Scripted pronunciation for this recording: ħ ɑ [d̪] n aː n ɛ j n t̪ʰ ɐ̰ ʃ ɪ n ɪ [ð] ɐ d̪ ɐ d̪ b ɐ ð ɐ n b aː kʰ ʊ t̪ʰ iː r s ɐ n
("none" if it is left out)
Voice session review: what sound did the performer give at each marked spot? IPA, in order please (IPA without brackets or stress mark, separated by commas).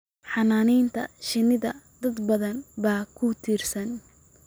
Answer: none, ð